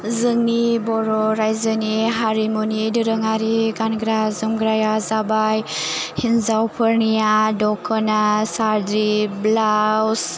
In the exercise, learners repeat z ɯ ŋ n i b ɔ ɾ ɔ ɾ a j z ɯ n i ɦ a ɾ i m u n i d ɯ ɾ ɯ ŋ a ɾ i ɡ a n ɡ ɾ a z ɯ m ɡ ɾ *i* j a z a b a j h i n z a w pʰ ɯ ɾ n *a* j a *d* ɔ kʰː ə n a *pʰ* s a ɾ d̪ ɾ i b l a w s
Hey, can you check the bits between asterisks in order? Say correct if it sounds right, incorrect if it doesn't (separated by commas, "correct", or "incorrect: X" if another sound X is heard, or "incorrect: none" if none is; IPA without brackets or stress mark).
incorrect: a, incorrect: i, correct, incorrect: none